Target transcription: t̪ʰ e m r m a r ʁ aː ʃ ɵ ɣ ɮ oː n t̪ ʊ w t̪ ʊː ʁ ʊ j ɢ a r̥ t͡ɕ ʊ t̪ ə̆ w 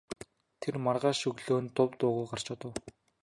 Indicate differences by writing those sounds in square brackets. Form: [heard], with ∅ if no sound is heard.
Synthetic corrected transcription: t̪ʰ e [∅] r m a r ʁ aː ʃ ɵ ɣ ɮ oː n t̪ ʊ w t̪ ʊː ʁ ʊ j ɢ a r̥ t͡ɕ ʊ t̪ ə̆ w